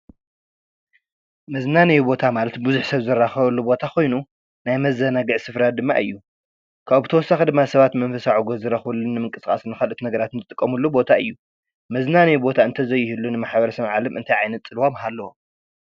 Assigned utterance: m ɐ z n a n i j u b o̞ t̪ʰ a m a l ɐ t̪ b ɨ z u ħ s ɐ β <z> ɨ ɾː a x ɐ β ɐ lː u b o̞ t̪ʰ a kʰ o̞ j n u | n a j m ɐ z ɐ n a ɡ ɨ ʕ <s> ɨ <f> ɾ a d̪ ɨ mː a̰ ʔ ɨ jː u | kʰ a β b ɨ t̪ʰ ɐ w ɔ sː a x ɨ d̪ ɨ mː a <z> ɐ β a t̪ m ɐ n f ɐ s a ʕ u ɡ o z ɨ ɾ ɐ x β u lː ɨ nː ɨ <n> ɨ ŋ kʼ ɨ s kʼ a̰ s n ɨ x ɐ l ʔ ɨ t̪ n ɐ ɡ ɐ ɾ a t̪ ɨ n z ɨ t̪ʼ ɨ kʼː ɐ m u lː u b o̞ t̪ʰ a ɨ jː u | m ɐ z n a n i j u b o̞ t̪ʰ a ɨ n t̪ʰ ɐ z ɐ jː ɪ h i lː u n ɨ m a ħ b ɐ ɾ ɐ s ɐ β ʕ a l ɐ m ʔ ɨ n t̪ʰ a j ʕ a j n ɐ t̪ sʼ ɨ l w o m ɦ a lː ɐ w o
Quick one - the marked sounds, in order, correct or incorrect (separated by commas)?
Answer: correct, correct, correct, incorrect, incorrect